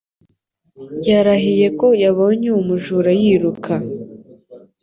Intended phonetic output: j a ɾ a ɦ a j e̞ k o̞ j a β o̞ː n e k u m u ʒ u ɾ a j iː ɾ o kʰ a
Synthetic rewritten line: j a ɾ a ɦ i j e̞ k o̞ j a β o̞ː ɲ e u m u ʒ u ɾ a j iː ɾ u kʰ a